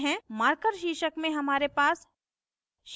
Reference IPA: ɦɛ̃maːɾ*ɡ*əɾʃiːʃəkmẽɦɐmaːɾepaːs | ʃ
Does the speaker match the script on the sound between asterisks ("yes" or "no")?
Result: no